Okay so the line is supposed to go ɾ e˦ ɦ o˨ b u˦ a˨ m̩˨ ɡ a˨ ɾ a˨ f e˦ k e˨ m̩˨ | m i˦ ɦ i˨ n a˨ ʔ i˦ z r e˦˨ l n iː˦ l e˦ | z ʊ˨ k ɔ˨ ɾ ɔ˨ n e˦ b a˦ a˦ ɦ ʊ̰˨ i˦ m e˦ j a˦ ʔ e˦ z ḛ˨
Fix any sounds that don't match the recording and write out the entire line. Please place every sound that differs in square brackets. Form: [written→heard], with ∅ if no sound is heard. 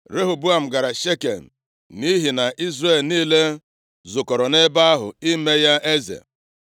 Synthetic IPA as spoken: ɾ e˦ ɦ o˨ b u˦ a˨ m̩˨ ɡ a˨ ɾ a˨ [f→ʃ] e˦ k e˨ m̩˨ | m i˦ ɦ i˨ n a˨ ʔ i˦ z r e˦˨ l n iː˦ l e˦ | z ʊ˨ k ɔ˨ ɾ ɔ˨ n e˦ b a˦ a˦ ɦ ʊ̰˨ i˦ m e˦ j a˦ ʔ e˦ z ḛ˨